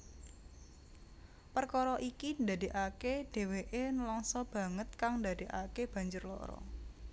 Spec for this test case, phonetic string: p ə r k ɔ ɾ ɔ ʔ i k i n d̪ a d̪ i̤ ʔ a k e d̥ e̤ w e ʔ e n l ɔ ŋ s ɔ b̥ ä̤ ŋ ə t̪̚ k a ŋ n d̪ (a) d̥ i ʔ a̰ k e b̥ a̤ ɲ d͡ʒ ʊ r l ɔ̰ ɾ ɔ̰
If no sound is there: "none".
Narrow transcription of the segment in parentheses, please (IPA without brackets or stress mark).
a